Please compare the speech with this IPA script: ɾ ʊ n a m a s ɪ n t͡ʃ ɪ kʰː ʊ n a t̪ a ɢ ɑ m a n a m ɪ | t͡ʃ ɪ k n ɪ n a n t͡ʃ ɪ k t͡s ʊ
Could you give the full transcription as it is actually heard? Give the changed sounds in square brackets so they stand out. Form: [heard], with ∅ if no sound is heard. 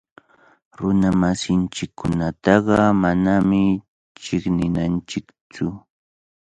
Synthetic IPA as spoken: ɾ ʊ n a m a s ɪ n t͡ʃ ɪ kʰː ʊ n a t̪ [ɑ] ɢ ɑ m a n a m ɪ | t͡ʃ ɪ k n ɪ n a n t͡ʃ ɪ k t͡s ʊ